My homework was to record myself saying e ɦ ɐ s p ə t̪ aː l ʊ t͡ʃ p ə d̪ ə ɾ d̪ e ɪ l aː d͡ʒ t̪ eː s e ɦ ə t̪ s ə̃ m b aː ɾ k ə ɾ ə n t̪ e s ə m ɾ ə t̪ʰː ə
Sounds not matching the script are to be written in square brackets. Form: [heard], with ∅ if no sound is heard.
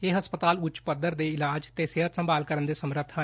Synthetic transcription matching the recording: e ɦ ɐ s p ə t̪ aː l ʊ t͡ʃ p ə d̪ ə ɾ d̪ e ɪ l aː d͡ʒ t̪ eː s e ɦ ə t̪ s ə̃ m b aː [l] k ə ɾ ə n [d̪] e s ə m ɾ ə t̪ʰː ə